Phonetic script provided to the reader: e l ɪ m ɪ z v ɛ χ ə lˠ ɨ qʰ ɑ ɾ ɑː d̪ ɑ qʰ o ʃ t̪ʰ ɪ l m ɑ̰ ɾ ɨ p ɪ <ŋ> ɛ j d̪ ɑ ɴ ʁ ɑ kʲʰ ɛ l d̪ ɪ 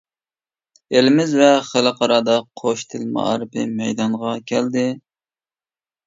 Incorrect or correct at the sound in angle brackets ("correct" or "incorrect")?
incorrect